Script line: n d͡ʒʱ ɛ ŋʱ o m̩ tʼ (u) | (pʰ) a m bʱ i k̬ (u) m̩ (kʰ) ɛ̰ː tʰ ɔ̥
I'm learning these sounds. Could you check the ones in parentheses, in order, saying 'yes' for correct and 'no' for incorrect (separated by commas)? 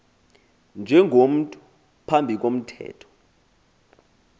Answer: yes, yes, no, no